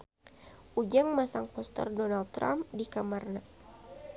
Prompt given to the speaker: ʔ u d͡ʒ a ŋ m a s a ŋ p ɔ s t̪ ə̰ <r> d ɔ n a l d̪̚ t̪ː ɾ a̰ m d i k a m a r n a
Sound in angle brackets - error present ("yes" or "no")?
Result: no